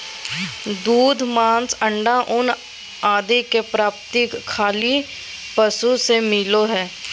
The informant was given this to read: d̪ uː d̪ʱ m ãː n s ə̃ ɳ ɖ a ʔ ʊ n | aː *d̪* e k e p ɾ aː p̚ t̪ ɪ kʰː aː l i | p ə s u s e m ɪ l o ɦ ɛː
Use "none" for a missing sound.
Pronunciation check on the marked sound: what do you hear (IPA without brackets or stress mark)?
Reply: d̪